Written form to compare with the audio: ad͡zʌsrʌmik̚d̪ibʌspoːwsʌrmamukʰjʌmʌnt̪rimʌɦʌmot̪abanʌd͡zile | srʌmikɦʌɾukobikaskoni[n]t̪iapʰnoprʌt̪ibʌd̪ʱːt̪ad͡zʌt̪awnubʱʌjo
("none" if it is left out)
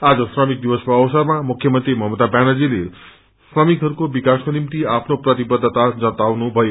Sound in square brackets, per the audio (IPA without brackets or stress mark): m